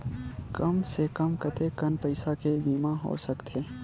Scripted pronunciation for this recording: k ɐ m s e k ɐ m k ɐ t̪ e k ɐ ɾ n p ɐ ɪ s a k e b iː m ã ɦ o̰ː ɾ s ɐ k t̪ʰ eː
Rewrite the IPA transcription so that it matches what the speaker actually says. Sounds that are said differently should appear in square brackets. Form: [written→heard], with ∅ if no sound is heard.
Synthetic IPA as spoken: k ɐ m s e k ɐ m k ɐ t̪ e k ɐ [ɾ→∅] n p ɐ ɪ s a k e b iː m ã ɦ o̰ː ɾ s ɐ k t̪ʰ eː